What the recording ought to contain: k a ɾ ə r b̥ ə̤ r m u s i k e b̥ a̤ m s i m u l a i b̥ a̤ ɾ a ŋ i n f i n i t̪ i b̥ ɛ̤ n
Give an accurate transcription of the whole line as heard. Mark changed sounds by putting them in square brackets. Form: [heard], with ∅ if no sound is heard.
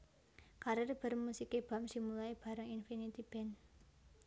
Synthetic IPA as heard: k a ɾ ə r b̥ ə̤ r m u s i k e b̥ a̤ m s i m u l a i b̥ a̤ ɾ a ŋ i n f i n i t̪ i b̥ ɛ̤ n